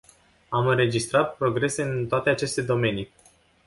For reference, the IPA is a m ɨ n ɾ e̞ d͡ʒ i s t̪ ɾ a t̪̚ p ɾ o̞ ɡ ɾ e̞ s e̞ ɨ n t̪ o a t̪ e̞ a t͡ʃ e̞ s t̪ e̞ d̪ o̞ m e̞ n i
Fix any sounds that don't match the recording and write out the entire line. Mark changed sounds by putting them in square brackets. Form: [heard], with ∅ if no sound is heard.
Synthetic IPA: a m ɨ n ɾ e̞ d͡ʒ i s t̪ ɾ a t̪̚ p ɾ o̞ ɡ ɾ e̞ s e̞ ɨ n t̪ o a t̪ e̞ a t͡ʃ e̞ s t̪ e̞ d̪ o̞ m e̞ n i